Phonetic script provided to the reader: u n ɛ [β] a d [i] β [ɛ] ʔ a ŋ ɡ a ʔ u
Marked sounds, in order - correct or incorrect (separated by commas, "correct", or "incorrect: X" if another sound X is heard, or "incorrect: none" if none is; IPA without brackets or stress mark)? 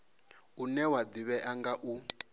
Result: incorrect: w, correct, correct